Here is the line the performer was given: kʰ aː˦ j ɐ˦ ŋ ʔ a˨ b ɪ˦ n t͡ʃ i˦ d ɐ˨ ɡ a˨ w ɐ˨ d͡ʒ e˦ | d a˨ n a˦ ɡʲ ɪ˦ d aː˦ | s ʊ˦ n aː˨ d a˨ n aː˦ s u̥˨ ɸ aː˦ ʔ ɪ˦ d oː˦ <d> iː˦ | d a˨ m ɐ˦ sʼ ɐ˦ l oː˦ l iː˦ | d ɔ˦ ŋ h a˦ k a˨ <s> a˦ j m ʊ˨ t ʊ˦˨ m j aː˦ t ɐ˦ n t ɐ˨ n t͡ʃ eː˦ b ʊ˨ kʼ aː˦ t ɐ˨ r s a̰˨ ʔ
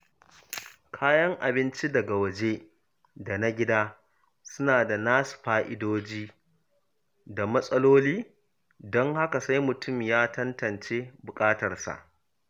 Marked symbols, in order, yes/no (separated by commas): no, yes